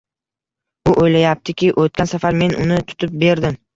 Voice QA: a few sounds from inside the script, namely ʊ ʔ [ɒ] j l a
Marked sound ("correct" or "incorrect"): incorrect